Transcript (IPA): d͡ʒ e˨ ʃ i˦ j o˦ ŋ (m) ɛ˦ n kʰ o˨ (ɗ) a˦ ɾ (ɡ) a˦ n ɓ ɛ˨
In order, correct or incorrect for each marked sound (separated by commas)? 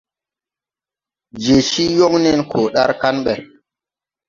incorrect, correct, incorrect